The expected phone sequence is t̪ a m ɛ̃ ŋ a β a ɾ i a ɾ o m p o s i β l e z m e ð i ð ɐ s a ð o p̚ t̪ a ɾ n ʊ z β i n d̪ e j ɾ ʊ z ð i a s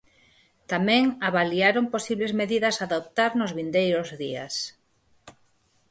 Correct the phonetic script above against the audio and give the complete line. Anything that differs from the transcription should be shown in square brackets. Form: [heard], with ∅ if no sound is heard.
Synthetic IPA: t̪ a m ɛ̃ ŋ a β a [l] i a ɾ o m p o s i β l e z m e ð i ð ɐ s a ð o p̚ t̪ a ɾ n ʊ z β i n d̪ e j ɾ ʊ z ð i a s